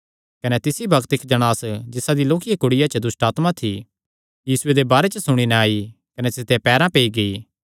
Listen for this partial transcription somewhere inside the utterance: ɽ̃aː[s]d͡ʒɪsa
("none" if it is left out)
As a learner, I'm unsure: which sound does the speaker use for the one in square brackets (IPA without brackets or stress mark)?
s